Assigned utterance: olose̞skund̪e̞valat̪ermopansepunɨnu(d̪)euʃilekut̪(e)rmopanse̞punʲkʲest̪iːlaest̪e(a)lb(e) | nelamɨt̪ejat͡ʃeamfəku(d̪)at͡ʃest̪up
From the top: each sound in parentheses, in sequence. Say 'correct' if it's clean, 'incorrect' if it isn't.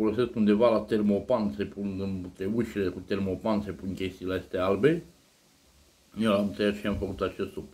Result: incorrect: t̪, correct, correct, correct, incorrect: t̪

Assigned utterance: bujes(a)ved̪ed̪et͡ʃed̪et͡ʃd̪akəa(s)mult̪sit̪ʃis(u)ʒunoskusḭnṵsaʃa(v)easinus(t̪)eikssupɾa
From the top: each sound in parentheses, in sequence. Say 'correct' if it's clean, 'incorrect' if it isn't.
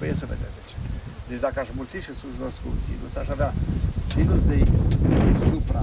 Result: incorrect: ə, incorrect: ʃ, correct, correct, incorrect: d̪

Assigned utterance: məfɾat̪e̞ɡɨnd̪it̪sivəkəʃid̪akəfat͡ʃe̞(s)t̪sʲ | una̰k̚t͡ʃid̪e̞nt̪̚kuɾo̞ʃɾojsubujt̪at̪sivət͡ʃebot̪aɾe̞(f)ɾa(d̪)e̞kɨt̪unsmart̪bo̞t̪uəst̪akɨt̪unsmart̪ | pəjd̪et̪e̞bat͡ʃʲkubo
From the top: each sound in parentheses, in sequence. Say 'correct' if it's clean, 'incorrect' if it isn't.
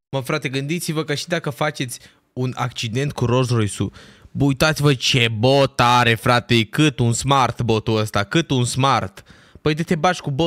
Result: incorrect: none, correct, incorrect: t̪

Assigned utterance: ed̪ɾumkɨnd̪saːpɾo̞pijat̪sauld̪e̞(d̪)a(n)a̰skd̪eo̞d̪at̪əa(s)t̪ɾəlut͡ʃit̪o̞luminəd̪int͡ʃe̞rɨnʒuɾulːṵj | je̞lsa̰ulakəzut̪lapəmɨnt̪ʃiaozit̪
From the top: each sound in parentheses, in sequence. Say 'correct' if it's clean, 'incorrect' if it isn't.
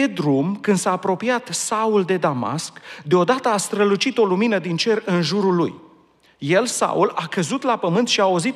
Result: correct, incorrect: m, correct

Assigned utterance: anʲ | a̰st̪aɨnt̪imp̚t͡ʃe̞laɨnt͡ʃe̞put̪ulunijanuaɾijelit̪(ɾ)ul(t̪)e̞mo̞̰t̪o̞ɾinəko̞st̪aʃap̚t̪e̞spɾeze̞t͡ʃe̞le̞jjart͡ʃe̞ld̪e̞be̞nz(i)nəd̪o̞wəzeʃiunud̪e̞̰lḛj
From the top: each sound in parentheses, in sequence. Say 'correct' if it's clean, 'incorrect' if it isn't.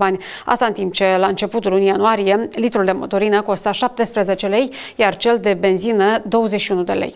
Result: correct, incorrect: d̪, correct

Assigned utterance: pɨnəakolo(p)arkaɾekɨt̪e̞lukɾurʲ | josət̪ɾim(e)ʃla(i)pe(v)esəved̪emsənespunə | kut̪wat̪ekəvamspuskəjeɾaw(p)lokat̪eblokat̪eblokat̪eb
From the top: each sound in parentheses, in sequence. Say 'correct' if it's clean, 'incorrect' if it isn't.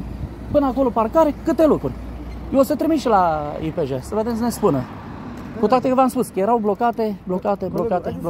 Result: correct, incorrect: i, correct, incorrect: ʒ, incorrect: b

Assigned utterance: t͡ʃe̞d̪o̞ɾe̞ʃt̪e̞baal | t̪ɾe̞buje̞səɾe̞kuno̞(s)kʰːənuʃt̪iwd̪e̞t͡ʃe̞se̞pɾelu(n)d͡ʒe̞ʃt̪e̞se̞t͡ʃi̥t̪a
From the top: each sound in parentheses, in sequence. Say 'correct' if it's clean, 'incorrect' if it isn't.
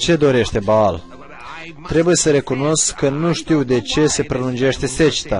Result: correct, correct

